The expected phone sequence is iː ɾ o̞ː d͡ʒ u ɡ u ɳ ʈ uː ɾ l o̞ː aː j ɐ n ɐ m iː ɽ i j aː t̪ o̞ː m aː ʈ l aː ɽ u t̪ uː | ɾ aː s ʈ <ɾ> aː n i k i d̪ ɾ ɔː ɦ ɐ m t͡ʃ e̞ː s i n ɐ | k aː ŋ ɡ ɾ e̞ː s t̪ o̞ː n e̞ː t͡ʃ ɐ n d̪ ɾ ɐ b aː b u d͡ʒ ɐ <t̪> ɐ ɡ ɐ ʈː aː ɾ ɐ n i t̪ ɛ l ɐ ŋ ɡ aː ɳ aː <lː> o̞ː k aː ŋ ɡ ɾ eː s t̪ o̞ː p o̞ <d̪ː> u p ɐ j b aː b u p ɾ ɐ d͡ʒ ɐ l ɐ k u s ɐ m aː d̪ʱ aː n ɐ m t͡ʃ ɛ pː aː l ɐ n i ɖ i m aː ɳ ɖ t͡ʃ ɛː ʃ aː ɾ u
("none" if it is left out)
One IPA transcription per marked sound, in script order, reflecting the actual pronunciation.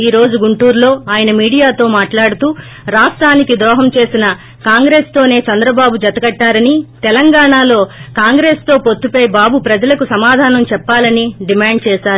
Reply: ɾ, t̪, l, t̪ː

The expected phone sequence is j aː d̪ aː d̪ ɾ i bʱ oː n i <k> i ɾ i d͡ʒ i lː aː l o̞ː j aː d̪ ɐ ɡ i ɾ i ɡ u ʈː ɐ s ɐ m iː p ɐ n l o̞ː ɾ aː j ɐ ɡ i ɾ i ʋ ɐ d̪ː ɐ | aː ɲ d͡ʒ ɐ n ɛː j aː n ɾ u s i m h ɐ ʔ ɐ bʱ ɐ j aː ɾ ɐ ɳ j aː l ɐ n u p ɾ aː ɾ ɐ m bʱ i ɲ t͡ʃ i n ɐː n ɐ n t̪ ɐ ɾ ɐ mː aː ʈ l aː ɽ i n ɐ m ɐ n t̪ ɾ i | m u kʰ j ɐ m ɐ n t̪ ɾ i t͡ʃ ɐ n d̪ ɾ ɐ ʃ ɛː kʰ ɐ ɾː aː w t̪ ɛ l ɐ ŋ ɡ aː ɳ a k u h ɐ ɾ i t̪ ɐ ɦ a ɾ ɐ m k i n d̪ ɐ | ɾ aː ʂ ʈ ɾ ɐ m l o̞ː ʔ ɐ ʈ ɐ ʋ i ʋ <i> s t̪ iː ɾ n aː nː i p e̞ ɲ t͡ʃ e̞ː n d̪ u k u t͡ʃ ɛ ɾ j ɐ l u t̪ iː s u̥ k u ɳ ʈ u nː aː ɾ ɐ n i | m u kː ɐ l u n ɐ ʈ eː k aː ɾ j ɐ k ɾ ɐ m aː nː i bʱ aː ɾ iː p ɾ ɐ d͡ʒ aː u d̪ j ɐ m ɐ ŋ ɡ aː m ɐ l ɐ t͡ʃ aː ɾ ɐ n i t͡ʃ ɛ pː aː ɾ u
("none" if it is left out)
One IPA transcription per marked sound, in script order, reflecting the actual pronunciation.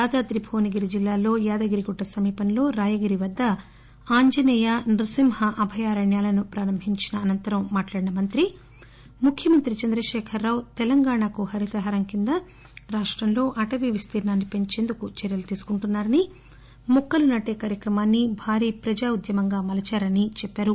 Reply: ɡ, i

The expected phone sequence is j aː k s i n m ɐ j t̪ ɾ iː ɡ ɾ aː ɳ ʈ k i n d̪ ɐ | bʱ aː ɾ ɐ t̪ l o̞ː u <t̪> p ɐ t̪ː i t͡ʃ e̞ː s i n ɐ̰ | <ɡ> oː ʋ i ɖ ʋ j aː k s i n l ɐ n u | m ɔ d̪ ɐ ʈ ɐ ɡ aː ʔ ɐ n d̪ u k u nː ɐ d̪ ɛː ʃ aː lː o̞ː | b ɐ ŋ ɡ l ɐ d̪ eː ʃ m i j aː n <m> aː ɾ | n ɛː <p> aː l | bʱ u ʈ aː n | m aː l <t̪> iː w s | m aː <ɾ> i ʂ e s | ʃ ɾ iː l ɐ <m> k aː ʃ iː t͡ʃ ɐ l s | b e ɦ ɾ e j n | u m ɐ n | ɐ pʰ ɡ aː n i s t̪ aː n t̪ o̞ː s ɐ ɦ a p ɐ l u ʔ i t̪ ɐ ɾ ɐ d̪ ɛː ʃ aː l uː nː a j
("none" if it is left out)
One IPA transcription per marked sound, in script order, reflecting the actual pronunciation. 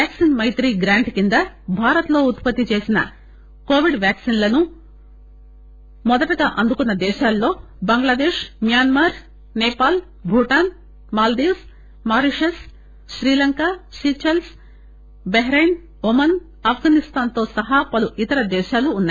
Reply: t̪, k, m, p, d̪, ɾ, ŋ

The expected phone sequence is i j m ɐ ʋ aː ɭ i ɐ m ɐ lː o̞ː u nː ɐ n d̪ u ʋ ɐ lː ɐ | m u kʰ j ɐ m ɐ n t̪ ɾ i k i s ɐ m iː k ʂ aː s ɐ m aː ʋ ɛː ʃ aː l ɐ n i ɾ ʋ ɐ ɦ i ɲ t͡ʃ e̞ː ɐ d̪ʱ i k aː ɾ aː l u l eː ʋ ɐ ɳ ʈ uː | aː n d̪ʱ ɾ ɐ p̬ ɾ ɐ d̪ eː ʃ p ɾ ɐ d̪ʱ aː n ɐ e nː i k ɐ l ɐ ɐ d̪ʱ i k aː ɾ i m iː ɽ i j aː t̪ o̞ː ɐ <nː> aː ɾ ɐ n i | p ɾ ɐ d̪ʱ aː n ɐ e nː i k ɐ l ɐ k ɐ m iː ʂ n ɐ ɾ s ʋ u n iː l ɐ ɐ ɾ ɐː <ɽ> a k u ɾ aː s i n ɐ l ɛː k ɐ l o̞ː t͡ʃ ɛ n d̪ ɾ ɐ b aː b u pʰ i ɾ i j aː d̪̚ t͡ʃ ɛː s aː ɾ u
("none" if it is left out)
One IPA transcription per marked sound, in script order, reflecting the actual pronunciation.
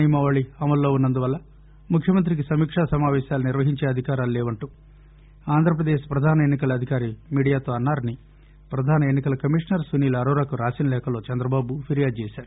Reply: nː, ɾ

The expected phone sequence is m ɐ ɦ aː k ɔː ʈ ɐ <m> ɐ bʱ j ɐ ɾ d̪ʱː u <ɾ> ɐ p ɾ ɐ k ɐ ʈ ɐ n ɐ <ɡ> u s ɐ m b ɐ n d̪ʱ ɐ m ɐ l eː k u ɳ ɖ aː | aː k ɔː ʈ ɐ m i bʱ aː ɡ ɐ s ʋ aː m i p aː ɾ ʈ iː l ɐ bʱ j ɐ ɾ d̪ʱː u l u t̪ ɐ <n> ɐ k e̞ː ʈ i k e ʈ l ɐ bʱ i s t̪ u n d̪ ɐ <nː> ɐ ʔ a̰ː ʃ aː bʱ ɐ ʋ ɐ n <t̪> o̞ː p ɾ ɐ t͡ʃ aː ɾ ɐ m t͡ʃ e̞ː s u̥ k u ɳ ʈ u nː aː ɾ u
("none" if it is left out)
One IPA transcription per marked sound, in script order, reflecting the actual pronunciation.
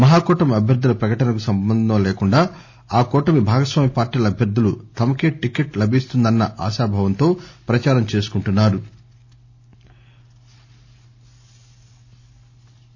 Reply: m, l, k, m, nː, t̪

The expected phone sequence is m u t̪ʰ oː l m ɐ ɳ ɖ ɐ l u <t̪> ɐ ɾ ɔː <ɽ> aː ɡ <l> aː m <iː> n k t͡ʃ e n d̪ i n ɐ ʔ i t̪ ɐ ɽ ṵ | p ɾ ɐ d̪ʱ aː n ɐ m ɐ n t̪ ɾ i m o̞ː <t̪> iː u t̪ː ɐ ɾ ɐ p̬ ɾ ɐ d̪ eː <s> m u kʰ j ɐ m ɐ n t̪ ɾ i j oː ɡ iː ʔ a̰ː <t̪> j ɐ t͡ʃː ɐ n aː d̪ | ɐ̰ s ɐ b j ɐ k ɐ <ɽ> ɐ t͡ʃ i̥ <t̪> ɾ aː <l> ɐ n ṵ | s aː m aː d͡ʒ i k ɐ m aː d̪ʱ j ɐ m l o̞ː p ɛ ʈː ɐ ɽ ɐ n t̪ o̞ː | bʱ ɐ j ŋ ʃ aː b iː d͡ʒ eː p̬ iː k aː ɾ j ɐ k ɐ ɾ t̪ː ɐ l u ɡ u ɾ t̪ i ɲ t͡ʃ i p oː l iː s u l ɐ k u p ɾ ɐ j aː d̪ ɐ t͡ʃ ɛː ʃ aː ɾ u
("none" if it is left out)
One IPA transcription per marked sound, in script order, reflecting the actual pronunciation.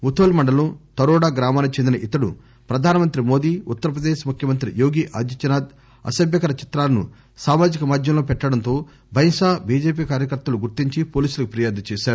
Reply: t̪, ɽ, ɾ, aː, d̪, ʃ, d̪, ɾ, t̪, l

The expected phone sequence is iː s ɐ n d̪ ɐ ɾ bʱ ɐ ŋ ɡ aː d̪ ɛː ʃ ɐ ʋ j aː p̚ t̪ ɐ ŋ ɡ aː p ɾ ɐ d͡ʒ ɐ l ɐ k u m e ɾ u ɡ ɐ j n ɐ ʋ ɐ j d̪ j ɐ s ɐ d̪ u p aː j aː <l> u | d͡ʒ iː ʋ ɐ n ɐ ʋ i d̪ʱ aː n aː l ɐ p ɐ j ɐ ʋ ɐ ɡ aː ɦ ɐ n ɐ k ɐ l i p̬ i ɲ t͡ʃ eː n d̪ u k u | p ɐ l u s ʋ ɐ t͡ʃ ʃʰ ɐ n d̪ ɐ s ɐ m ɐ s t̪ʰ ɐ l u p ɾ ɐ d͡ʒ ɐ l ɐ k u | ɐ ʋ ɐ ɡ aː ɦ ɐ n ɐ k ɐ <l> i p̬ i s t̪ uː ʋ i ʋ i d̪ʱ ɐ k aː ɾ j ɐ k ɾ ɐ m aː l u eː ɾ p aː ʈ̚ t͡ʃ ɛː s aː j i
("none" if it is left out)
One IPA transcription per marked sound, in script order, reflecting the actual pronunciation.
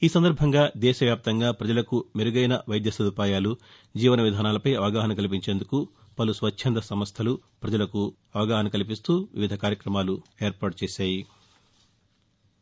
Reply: l, l

